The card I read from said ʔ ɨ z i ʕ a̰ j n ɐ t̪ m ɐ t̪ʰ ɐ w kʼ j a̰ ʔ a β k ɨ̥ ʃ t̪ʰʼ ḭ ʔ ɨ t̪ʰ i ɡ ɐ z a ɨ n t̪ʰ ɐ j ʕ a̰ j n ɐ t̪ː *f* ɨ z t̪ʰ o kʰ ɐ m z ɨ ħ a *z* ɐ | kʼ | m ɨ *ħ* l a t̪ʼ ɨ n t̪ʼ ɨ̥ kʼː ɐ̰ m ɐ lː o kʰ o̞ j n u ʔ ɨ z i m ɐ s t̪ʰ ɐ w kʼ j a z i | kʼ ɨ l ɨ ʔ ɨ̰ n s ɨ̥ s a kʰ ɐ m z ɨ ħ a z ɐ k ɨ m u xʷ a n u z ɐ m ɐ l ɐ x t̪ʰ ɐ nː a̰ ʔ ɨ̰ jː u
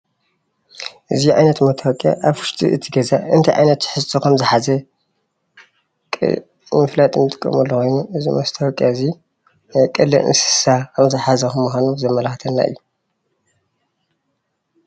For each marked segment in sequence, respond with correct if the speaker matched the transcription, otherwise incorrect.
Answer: incorrect: ħ, correct, incorrect: f

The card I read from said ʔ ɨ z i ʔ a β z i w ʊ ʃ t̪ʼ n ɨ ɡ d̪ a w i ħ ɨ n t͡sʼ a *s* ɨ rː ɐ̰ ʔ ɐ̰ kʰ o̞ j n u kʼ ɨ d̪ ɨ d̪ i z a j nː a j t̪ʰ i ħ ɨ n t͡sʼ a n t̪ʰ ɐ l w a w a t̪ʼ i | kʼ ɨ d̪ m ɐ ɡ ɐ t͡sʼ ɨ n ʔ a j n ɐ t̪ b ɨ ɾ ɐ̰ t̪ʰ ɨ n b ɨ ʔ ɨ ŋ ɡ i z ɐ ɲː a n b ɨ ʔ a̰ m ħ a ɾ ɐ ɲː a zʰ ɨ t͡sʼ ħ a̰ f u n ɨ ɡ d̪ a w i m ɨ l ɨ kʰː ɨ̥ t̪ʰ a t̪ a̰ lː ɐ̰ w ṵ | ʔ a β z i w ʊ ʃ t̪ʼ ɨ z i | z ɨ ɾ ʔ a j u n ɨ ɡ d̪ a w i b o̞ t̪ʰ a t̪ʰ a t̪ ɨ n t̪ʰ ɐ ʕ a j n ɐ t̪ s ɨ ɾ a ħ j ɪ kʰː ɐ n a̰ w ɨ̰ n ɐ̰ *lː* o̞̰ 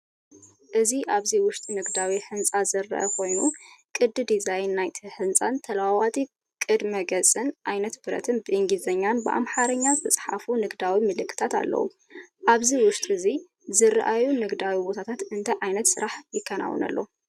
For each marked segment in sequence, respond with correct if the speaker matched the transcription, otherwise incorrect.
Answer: incorrect: z, correct

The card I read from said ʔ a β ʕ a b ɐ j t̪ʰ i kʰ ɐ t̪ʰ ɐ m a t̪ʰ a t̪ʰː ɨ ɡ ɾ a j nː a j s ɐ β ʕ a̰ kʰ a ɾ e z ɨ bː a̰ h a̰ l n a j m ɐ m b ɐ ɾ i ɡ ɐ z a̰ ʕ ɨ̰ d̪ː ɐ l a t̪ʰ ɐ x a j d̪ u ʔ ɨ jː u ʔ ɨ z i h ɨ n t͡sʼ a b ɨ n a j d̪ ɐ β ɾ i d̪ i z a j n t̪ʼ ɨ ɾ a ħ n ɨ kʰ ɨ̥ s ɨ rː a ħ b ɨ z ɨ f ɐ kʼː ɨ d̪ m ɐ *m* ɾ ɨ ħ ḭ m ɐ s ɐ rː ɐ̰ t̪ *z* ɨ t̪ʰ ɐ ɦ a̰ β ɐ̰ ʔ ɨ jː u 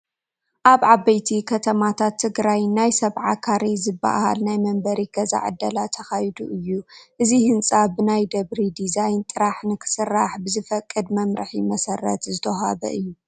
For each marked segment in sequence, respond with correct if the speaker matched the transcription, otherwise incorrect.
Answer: correct, correct

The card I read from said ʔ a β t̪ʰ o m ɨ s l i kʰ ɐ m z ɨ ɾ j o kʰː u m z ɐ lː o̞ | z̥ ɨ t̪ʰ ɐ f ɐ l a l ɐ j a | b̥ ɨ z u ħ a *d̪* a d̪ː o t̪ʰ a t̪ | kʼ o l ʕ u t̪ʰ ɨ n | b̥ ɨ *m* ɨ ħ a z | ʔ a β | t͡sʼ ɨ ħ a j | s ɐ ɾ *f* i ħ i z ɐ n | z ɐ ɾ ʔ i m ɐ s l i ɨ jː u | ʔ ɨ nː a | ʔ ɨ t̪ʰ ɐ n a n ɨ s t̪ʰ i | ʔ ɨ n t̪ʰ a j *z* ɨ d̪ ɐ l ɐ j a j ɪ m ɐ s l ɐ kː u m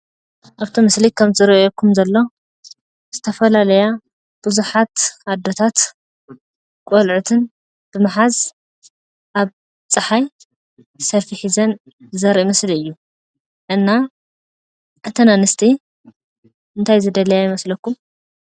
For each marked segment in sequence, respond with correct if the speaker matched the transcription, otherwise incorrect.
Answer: incorrect: t̪, correct, correct, correct

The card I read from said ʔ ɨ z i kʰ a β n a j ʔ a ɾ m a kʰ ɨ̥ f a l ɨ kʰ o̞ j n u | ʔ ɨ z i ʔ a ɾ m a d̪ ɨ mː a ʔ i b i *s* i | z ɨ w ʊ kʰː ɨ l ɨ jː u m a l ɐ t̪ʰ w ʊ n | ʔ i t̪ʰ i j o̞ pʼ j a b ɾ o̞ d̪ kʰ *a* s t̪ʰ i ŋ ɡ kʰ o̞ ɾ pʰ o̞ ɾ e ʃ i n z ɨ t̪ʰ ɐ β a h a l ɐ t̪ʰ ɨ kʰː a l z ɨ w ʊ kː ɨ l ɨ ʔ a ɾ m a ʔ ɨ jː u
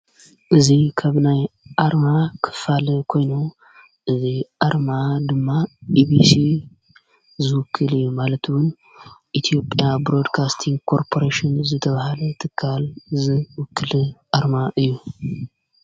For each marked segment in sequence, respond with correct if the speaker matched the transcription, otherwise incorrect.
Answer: correct, correct

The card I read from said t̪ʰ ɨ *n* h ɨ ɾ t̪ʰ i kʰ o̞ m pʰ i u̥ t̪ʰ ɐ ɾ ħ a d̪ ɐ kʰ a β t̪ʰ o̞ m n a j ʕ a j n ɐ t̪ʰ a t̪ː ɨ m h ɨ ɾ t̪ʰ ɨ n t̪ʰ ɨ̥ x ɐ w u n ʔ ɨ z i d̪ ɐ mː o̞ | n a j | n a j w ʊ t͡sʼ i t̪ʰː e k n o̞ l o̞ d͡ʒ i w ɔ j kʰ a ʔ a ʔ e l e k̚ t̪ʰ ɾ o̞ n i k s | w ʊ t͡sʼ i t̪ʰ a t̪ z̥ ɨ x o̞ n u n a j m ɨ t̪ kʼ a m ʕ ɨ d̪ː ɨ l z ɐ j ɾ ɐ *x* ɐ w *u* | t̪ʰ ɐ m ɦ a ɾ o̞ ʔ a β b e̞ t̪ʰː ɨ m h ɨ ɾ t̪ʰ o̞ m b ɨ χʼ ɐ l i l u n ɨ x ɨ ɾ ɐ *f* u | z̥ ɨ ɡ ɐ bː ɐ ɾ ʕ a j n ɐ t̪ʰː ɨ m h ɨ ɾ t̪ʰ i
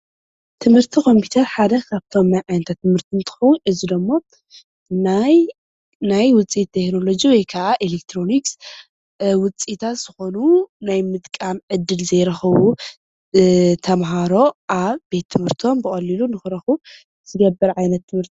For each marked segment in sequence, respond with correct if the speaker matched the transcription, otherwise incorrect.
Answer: incorrect: m, correct, correct, incorrect: x

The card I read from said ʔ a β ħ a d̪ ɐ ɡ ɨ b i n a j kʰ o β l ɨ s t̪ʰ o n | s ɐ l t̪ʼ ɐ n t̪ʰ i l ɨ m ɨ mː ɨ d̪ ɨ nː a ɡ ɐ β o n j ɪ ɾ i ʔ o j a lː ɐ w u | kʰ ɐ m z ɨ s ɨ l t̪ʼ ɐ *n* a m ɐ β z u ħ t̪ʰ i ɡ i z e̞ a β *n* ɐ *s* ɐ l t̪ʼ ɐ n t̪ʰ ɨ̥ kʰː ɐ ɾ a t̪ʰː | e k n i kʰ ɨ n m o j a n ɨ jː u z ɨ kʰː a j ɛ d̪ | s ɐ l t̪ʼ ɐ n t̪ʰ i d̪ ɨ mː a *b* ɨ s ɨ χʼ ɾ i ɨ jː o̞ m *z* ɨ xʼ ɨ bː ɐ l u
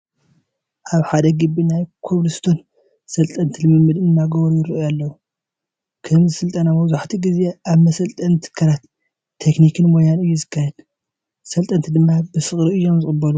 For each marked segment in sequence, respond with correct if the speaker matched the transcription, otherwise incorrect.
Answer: correct, incorrect: m, correct, correct, correct

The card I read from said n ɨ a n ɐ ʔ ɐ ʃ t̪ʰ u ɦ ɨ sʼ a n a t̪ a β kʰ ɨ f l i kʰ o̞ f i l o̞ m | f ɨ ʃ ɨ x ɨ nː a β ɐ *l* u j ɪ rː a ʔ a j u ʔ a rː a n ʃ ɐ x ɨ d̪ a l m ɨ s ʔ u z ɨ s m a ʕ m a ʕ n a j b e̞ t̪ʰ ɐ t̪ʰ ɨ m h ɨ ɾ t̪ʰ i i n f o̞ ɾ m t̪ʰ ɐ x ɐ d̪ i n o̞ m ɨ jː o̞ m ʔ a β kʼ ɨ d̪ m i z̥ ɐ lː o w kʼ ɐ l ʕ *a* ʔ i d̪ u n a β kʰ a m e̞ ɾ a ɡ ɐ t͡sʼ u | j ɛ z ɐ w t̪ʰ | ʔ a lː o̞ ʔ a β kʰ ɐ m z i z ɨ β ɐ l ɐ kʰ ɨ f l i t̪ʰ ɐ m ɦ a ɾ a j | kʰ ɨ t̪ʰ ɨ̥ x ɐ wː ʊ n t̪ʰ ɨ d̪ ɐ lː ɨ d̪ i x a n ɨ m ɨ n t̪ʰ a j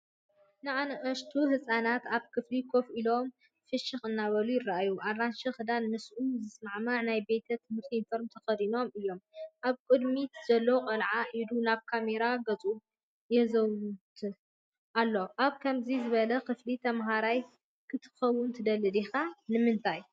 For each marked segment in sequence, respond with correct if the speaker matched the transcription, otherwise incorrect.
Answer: correct, correct

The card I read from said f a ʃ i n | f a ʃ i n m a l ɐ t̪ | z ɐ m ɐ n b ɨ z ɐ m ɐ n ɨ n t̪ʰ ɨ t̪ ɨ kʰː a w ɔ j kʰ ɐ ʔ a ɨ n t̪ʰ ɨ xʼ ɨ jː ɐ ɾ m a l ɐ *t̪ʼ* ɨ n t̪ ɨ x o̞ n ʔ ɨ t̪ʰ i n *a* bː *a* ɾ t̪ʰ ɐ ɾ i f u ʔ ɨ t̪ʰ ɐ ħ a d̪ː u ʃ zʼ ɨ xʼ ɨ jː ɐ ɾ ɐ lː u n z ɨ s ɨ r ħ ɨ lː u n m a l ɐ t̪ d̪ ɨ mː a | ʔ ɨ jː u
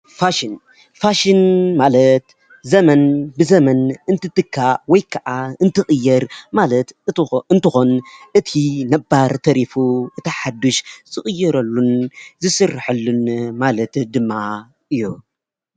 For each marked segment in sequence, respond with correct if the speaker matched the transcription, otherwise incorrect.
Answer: incorrect: t̪, incorrect: ɐ, correct

